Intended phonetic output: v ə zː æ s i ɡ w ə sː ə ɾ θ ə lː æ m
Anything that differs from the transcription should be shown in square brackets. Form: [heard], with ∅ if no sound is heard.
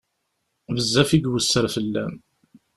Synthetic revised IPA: v ə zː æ [f] i ɡ w ə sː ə ɾ [f] ə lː æ m